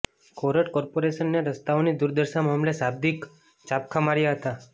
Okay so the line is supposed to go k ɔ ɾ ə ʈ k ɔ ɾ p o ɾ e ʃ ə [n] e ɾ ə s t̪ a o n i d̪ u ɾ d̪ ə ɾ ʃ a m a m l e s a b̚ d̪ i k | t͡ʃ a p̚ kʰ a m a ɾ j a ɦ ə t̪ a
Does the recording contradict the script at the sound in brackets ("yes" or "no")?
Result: yes